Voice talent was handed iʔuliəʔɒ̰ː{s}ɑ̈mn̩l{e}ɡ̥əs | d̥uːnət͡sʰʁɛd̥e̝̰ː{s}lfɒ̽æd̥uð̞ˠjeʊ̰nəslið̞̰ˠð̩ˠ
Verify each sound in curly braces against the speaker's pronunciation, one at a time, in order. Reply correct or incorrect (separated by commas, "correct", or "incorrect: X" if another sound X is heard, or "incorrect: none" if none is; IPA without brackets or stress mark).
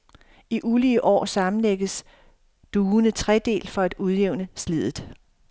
correct, correct, incorrect: none